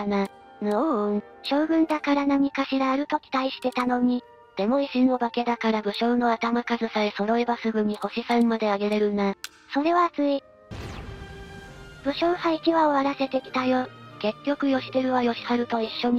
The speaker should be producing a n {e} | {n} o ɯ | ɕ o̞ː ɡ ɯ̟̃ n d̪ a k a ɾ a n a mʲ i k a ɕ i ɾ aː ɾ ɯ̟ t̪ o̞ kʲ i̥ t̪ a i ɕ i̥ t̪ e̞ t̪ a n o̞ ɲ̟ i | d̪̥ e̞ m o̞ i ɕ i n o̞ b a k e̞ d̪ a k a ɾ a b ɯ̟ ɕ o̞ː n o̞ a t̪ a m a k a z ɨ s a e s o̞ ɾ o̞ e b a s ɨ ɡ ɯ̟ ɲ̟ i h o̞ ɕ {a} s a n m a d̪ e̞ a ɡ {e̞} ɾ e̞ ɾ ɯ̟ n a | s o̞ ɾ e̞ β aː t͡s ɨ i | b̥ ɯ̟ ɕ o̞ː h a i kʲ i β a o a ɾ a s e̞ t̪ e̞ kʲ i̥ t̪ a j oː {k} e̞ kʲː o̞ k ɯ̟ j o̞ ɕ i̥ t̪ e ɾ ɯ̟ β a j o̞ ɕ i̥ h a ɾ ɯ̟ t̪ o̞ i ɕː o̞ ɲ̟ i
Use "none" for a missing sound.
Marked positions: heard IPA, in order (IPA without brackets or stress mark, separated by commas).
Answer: a, n, i, e̞, k